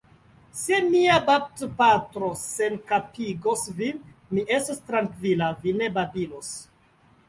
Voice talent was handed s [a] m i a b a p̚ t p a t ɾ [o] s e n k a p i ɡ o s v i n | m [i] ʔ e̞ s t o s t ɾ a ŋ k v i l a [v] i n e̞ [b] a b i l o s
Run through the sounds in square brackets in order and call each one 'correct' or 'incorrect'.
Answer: incorrect: e, correct, correct, correct, correct

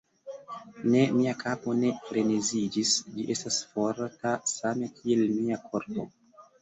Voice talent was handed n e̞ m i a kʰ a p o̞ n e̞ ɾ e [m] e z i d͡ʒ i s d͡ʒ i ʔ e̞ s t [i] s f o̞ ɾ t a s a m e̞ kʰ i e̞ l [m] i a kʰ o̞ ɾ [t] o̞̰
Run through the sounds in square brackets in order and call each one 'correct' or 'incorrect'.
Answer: incorrect: n, incorrect: a, correct, incorrect: p

